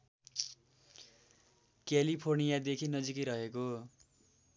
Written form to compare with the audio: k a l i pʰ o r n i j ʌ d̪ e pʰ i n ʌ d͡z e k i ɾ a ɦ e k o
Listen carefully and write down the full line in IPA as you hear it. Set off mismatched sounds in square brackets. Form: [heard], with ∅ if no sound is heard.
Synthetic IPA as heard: k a l i pʰ o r n i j [a] d̪ e [kʰ] i n ʌ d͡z [i] k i ɾ [ʌ] ɦ e k o